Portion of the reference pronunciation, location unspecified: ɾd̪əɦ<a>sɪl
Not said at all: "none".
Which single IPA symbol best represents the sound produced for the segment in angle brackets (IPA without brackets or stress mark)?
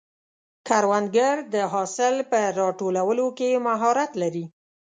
ɑ